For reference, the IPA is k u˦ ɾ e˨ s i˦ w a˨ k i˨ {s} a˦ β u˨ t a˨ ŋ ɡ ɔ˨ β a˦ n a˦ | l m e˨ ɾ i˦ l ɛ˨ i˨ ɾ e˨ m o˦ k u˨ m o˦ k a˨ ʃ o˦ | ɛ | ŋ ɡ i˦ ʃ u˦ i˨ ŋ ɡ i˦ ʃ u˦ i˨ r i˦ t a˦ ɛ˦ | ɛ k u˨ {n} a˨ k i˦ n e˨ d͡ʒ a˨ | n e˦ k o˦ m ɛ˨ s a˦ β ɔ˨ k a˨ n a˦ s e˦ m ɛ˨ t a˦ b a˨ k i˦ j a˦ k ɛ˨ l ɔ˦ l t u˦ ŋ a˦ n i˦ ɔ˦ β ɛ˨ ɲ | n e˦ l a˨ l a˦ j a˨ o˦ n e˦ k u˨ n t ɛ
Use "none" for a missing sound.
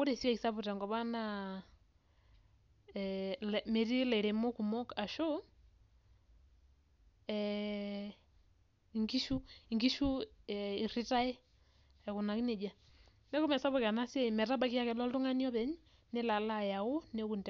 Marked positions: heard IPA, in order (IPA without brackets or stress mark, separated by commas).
s, n